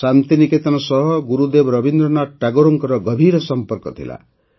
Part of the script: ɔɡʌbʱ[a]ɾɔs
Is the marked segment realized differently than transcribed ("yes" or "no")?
yes